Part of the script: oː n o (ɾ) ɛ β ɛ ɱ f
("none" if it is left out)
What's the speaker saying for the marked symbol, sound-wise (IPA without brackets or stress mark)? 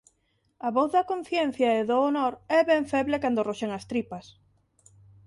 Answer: ɾ